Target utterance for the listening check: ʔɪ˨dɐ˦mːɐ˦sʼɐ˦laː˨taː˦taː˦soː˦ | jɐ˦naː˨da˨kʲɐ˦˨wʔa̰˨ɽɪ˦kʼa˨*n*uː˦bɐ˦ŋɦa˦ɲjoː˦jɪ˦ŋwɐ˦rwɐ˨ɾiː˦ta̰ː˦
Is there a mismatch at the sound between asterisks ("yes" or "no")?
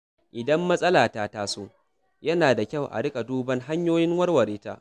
yes